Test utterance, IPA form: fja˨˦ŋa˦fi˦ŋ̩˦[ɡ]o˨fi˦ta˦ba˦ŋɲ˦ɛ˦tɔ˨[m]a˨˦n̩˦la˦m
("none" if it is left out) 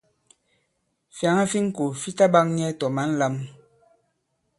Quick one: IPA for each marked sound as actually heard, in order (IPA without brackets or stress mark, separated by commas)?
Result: k, m